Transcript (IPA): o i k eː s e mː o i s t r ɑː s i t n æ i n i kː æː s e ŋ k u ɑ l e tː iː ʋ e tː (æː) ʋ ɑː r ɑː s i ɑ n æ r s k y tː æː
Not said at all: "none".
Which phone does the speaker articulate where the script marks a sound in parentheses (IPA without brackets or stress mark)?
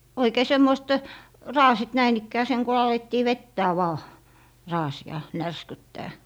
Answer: æː